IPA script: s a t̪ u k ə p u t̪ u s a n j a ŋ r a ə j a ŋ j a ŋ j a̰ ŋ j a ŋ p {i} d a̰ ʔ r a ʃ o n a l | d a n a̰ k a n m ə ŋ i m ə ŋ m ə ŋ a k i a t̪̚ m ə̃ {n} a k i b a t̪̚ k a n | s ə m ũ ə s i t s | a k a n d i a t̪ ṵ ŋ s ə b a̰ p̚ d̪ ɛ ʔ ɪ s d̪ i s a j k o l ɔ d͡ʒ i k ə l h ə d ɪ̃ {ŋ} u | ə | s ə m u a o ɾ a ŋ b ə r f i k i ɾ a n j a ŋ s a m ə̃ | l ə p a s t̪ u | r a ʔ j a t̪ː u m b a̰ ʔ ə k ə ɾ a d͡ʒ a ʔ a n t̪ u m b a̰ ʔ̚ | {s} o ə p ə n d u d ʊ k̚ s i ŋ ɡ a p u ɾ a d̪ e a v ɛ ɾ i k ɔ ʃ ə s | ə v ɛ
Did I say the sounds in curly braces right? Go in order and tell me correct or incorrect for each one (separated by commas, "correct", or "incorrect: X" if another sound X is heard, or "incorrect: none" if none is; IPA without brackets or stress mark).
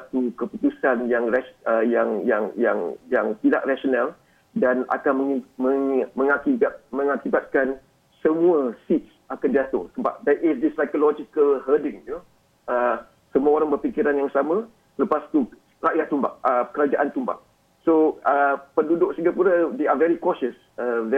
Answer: correct, incorrect: ŋ, correct, correct